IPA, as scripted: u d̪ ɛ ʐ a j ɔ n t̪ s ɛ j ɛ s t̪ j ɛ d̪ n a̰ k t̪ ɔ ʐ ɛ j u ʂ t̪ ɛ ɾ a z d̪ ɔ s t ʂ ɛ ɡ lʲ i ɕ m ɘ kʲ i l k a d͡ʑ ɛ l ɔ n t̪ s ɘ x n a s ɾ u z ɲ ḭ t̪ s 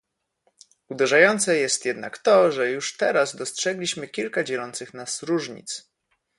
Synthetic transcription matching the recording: u d̪ ɛ ʐ a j ɔ n t̪ s ɛ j ɛ s t̪ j ɛ d̪ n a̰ k t̪ ɔ ʐ ɛ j u ʂ t̪ ɛ ɾ a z d̪ ɔ s t ʂ ɛ ɡ lʲ i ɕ m ɘ kʲ i l k a d͡ʑ ɛ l ɔ n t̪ s ɘ x n a s ɾ u ʐ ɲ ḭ t̪ s

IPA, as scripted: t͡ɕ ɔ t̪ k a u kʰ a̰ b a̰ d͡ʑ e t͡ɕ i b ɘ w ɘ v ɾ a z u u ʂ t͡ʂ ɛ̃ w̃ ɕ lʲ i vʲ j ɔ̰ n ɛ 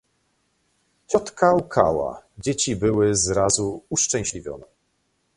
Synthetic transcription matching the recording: t͡ɕ ɔ t̪ k a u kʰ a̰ w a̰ d͡ʑ e t͡ɕ i b ɘ w ɘ z ɾ a z u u ʂ t͡ʂ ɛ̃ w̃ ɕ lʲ i vʲ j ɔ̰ n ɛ

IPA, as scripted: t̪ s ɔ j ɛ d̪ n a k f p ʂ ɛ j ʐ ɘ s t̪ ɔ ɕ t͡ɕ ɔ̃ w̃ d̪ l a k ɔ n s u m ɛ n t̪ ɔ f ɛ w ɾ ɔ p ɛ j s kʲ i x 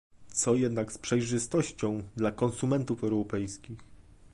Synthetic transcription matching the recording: t̪ s ɔ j ɛ d̪ n a k s p ʂ ɛ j ʐ ɘ s t̪ ɔ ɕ t͡ɕ ɔ̃ w̃ d̪ l a k ɔ n s u m ɛ n t̪ u f ɛ w ɾ ɔ p ɛ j s kʲ i x

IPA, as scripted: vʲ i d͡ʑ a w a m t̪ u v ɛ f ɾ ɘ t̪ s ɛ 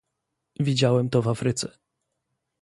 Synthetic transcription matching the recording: vʲ i d͡ʑ a w ɛ m t̪ ɔ v a f ɾ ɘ t̪ s ɛ

